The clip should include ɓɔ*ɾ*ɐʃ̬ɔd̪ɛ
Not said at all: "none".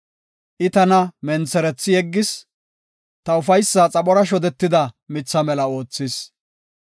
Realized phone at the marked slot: ɾ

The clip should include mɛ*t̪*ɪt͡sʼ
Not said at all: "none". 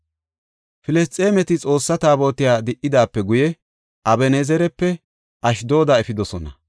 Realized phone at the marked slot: t̪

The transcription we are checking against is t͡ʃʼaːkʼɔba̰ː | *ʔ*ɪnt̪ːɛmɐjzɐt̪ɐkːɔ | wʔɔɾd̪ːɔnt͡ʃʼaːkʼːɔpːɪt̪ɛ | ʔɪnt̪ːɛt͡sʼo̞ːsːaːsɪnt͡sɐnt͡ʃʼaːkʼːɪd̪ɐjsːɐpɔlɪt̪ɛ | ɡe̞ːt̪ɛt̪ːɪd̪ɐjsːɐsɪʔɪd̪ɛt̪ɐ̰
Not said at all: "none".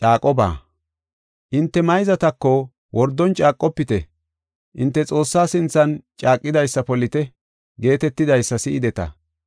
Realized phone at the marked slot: ʔ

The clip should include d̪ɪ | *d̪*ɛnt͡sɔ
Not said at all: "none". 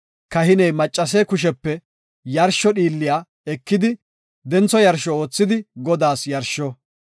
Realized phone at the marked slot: d̪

